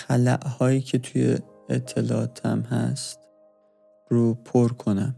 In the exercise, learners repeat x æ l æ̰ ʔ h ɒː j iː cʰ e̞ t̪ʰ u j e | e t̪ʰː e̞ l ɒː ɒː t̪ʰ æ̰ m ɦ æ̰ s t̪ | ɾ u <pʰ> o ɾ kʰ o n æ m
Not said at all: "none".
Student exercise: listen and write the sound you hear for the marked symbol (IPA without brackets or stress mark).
pʰ